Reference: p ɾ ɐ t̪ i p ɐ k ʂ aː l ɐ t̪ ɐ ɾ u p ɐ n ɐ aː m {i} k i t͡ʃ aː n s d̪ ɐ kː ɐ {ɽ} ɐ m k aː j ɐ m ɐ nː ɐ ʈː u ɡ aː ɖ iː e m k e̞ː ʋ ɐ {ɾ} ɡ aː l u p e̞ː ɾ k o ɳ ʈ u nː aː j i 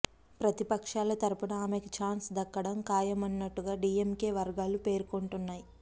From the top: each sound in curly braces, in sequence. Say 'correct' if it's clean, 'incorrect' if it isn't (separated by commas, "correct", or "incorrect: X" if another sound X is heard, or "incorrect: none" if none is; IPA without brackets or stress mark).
incorrect: e, correct, correct